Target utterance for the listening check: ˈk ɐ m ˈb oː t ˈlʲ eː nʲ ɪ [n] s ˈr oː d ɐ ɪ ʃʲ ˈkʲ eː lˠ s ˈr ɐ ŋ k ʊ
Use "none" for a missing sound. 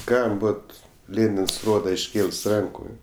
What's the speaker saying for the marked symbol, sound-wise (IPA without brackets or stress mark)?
n